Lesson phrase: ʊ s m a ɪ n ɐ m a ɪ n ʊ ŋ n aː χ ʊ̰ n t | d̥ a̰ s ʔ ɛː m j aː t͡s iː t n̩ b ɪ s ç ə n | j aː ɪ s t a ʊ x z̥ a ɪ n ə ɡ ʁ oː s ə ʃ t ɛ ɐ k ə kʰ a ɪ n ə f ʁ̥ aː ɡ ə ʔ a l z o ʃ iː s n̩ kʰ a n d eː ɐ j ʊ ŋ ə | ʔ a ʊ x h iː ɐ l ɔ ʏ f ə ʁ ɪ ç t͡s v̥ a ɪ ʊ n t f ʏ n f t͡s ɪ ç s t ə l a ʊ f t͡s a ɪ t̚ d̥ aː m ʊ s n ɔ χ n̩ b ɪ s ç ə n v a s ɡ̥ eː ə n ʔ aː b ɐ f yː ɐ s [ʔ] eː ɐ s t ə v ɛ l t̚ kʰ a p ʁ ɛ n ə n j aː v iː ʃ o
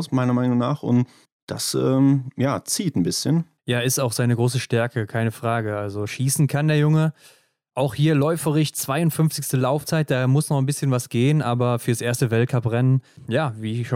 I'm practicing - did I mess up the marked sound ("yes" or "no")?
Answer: no